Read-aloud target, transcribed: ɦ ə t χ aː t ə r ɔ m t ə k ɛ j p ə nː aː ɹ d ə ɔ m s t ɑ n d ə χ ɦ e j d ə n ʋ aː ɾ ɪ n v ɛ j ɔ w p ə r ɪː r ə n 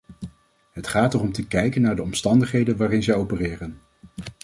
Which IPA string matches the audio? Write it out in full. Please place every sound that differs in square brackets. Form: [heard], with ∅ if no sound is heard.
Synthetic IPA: ɦ ə t χ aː t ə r ɔ m t ə k ɛ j [k] ə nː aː ɹ d ə ɔ m s t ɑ n d ə χ ɦ e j d ə n ʋ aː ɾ ɪ n [z] ɛ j [o] w p ə r ɪː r ə n